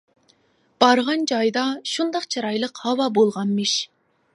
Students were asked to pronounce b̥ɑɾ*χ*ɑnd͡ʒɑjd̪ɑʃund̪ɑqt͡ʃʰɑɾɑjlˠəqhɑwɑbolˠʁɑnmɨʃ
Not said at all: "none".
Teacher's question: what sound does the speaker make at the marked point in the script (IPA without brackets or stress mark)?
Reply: ʁ